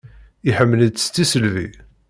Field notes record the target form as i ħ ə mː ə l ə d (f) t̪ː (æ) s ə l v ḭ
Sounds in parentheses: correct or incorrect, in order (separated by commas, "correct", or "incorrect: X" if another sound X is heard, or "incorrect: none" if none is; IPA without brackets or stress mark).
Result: incorrect: s, incorrect: i